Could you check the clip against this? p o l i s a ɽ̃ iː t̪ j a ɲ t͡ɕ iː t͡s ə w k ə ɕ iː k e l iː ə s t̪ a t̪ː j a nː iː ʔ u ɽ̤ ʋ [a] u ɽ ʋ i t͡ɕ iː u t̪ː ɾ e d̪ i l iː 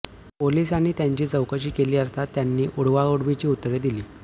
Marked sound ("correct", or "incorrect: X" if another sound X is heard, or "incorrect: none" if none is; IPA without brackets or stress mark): correct